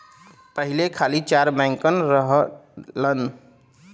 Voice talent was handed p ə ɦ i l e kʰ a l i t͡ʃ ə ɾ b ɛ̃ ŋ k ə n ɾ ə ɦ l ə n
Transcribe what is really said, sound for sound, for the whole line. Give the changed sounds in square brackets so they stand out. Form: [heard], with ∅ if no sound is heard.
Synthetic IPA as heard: p ə ɦ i l e kʰ a l i t͡ʃ [a] ɾ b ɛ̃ ŋ k ə n ɾ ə ɦ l ə n